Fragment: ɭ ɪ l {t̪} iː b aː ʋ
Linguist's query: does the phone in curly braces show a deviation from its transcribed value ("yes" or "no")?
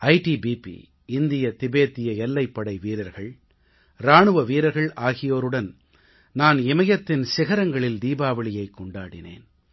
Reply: yes